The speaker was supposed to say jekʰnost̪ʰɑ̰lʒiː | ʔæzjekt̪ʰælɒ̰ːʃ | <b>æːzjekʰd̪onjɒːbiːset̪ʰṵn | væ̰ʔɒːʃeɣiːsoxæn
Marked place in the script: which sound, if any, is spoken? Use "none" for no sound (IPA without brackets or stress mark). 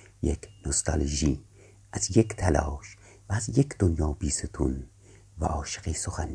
v